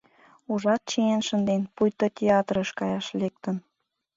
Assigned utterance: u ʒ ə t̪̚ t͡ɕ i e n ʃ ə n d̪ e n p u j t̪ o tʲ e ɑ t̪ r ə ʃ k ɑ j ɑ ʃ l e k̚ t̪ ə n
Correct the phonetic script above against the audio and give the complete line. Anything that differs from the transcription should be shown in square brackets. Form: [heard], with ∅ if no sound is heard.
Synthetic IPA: u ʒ [ɑ] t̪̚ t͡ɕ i e n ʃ ə n d̪ e n p u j t̪ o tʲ e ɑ t̪ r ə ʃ k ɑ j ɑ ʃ l e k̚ t̪ ə n